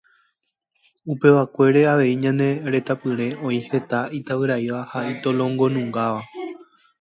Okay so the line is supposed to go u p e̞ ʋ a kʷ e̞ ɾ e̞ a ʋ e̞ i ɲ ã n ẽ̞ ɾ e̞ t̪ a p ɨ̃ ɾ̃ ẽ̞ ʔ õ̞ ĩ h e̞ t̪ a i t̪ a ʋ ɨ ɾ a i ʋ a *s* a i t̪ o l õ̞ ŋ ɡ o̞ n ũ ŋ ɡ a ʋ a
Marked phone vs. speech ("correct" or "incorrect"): incorrect